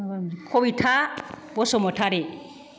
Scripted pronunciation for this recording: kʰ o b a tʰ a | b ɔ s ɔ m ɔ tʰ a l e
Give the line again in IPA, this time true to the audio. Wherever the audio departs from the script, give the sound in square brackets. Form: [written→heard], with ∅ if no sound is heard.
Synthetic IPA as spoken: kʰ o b [a→i] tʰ a | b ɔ s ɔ m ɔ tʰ a [l→ɾ] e